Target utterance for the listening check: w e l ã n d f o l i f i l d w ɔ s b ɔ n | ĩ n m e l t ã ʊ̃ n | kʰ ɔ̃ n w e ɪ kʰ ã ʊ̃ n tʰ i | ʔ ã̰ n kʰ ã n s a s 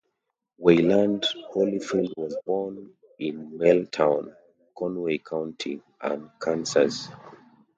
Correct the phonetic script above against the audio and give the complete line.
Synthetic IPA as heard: w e l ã n d h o l i f i l d w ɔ z b ɔ n | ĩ n m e l tʰ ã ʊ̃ n | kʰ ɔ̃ n w e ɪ kʰ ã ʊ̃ n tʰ i | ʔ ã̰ n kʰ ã n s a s